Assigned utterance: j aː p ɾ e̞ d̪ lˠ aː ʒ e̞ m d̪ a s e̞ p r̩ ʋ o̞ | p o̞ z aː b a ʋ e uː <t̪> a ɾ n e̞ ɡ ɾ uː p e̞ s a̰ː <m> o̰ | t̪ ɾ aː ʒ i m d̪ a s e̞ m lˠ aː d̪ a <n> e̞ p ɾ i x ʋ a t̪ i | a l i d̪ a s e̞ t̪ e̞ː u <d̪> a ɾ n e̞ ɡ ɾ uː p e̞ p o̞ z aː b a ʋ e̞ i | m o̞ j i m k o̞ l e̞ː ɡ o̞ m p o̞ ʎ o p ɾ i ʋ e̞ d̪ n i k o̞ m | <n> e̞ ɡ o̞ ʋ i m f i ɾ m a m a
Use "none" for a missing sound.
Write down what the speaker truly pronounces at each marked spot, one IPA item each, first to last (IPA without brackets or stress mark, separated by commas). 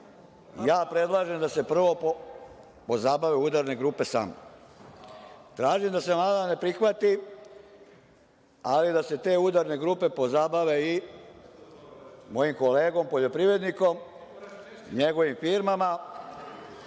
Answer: d̪, m, n, d̪, ɲ